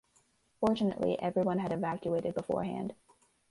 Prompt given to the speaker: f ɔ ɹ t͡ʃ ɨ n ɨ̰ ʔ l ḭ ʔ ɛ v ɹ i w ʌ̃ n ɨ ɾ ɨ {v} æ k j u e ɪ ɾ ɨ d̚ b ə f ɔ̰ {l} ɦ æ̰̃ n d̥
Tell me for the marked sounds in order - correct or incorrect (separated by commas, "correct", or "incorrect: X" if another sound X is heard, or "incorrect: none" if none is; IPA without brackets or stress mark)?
correct, incorrect: ɹ